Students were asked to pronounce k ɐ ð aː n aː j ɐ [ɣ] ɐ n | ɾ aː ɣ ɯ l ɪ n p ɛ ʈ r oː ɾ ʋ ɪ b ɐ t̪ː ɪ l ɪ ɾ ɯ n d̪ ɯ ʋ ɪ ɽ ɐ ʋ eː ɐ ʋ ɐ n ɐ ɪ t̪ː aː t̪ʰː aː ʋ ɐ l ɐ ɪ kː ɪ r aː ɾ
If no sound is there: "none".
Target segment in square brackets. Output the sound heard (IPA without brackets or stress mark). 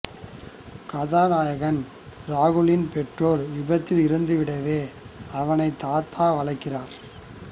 ɣ